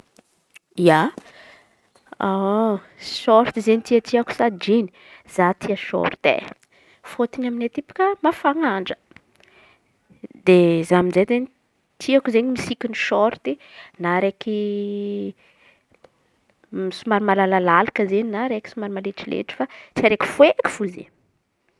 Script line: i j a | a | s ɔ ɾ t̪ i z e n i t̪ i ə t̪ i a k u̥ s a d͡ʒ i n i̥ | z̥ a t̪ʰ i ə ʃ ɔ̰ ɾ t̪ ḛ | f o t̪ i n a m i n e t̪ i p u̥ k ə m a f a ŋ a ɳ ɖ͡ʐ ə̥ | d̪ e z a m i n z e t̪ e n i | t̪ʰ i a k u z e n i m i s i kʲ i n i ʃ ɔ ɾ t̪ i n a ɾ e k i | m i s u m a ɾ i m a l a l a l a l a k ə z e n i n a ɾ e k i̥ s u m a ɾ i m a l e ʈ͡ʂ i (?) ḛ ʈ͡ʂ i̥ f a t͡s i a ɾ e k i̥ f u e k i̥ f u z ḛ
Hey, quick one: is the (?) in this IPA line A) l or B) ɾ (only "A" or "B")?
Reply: A